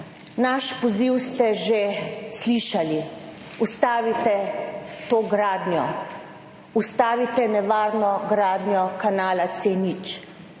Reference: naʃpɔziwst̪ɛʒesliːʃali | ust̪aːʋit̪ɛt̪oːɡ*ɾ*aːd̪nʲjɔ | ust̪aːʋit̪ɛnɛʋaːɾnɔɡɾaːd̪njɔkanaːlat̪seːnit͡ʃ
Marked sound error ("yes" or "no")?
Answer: no